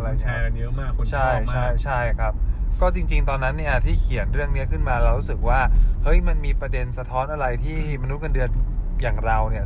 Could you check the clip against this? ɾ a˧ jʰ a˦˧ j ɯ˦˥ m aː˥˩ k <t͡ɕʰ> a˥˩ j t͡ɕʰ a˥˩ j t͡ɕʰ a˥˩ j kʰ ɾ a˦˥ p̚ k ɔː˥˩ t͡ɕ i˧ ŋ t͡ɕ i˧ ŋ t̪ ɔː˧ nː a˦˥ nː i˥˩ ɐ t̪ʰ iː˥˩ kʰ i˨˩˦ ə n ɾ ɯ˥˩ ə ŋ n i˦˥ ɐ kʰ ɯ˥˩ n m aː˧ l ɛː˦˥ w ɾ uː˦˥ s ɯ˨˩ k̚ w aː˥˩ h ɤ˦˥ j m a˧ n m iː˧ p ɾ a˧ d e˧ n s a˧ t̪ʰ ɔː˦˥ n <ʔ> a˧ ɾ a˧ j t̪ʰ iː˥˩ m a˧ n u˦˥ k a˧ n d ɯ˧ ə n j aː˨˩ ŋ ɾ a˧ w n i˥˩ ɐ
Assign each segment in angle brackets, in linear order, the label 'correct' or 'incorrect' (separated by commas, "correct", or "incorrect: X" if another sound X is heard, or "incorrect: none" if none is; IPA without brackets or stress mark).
correct, correct